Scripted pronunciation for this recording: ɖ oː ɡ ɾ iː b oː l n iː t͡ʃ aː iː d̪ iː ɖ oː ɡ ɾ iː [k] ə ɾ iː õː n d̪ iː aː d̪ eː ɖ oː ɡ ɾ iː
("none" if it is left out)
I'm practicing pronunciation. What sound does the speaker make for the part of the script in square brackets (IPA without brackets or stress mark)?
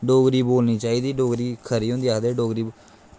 kʰ